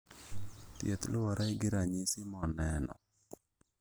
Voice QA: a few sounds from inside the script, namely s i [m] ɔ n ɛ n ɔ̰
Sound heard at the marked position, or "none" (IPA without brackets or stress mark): m